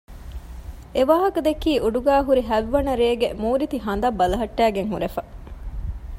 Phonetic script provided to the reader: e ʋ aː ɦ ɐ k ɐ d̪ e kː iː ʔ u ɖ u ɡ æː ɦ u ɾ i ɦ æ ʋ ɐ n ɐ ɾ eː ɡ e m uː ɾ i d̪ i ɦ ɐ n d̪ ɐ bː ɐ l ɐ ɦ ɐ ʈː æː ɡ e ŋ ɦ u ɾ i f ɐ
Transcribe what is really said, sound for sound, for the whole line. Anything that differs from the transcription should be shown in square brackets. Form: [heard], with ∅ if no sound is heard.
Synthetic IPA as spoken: e ʋ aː ɦ ɐ k ɐ d̪ e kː iː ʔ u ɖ u ɡ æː ɦ u ɾ i ɦ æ [ʋː] ɐ n ɐ ɾ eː ɡ e m uː ɾ i [t̪] i ɦ ɐ n d̪ ɐ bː ɐ l ɐ ɦ ɐ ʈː æː ɡ e ŋ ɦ u ɾ [e] f ɐ